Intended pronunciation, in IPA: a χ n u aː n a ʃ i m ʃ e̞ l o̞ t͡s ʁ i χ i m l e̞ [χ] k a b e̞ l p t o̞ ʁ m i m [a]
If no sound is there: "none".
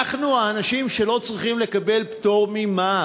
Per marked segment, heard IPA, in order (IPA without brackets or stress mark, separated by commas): none, a